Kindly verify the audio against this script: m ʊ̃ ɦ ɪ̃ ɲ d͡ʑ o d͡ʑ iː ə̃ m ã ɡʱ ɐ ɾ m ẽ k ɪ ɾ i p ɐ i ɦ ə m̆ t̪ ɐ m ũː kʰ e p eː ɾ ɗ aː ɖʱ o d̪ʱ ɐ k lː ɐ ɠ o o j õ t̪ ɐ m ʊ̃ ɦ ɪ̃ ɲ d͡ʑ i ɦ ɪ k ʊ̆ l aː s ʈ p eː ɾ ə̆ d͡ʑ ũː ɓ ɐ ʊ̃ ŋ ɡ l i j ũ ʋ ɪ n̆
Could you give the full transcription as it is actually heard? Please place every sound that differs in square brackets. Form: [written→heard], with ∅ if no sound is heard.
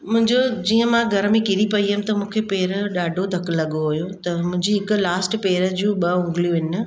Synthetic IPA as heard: m ʊ̃ ɦ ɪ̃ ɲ d͡ʑ o d͡ʑ iː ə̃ m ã ɡʱ ɐ ɾ m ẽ k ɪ ɾ i p ɐ i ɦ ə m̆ t̪ ɐ m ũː kʰ e p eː ɾ ɗ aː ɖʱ o d̪ʱ ɐ k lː ɐ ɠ o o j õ t̪ ɐ m ʊ̃ ɦ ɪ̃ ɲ d͡ʑ i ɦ ɪ k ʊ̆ l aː s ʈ p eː ɾ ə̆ d͡ʑ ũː ɓ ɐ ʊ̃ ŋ ɡ l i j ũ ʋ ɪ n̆